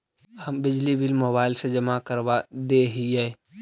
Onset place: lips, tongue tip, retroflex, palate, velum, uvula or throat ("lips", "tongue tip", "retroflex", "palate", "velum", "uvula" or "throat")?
throat